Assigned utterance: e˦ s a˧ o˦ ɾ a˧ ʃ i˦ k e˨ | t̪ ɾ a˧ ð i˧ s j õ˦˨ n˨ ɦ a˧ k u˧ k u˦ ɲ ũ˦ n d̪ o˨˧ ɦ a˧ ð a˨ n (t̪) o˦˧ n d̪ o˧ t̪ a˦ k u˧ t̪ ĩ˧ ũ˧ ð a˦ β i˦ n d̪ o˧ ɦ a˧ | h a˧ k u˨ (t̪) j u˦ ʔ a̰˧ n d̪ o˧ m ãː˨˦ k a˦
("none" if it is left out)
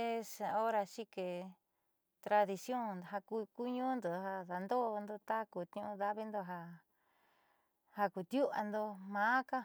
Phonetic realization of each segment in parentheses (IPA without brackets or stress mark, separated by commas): d̪, t̪